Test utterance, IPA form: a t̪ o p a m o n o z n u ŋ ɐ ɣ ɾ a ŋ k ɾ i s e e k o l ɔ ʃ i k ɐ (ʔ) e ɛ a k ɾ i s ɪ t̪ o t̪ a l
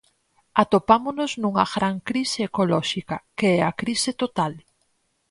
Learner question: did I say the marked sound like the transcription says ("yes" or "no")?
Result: no